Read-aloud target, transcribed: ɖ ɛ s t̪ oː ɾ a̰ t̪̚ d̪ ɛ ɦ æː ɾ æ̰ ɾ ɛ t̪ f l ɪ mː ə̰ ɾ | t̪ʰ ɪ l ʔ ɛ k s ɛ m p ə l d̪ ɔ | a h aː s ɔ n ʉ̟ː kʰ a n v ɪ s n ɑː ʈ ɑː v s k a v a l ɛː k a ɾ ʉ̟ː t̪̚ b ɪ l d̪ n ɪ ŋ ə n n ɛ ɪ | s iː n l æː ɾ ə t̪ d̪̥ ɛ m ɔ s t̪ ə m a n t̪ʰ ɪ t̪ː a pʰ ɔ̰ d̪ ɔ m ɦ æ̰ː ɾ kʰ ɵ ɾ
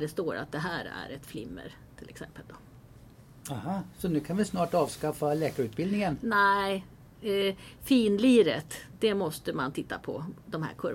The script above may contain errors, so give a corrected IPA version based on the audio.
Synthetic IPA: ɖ ɛ s t̪ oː ɾ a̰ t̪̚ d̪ ɛ ɦ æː ɾ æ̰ ɾ ɛ t̪ f l ɪ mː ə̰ ɾ | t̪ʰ ɪ l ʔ ɛ k s ɛ m p ə l d̪ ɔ | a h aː s ɔ n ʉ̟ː kʰ a n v ɪ s n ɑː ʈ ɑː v s k a f a l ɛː k a ɾ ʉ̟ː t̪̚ b ɪ l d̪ n ɪ ŋ ə n n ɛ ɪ | f iː n l iː ɾ ə t̪ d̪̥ ɛ m ɔ s t̪ ə m a n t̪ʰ ɪ t̪ː a pʰ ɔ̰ d̪ ɔ m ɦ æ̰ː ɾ kʰ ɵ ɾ